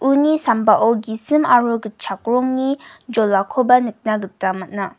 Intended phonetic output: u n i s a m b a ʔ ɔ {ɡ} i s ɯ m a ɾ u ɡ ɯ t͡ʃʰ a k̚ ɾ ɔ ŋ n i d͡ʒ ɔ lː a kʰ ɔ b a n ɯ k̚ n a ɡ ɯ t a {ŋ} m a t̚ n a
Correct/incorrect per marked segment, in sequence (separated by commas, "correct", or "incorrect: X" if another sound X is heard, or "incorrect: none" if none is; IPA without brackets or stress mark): correct, incorrect: none